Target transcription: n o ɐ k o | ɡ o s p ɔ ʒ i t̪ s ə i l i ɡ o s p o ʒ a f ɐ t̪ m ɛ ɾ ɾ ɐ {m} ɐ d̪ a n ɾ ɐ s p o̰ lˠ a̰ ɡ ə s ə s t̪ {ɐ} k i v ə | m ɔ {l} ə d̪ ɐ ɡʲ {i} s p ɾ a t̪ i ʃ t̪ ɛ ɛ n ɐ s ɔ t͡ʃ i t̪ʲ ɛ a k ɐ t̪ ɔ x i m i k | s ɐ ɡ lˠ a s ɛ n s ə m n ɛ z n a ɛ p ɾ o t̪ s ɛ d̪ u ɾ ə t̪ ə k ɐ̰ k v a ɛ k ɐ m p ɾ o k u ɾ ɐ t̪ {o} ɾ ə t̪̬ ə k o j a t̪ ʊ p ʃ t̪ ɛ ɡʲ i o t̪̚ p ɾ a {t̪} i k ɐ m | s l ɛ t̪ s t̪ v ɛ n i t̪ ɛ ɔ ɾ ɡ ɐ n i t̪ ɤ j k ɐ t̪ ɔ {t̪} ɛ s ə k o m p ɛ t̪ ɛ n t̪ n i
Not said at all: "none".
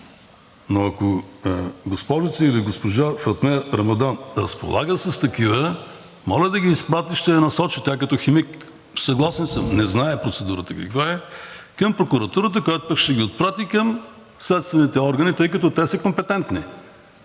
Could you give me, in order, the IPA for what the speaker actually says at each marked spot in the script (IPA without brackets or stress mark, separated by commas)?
m, ɐ, l, iː, u, t̪, t̪